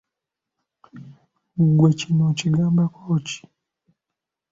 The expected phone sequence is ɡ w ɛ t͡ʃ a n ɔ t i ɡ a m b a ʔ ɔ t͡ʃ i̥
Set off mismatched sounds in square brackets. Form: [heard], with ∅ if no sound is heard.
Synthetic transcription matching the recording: ɡ w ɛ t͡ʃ [i] n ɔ [t͡ʃ] i ɡ a m b a [k] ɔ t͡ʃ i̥